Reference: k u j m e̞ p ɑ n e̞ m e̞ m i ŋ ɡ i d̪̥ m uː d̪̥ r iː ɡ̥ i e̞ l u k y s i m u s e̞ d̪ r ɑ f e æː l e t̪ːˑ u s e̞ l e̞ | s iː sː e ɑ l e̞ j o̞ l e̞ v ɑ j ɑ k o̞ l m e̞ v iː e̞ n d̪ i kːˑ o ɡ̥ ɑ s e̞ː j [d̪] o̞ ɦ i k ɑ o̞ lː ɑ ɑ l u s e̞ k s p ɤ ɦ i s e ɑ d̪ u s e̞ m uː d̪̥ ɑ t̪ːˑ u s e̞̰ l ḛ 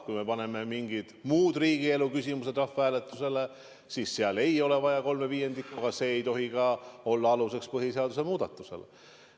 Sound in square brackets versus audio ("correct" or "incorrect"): incorrect